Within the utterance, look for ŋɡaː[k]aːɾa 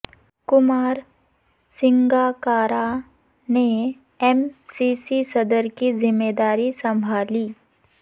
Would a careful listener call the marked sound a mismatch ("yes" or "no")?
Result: no